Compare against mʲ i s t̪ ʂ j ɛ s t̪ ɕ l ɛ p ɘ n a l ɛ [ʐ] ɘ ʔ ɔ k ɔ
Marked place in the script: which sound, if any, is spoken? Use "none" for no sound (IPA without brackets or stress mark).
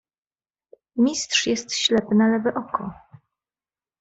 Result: v